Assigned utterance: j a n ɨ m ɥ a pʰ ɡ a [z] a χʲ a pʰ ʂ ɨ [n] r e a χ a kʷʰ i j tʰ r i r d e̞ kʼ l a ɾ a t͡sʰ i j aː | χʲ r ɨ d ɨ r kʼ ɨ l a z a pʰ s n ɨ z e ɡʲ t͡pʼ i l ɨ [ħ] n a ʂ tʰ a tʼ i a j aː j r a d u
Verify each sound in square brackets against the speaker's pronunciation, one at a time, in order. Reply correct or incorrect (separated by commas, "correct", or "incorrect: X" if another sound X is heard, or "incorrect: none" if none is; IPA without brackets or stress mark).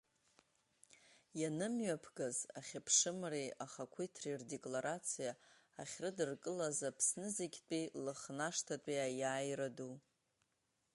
correct, incorrect: m, incorrect: χ